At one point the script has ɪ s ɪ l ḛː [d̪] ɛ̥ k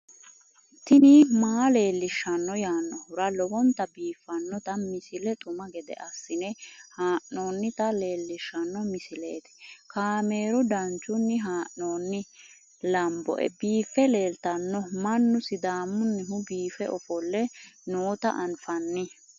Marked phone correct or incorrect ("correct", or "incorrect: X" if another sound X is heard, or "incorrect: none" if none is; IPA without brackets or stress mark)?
incorrect: t̪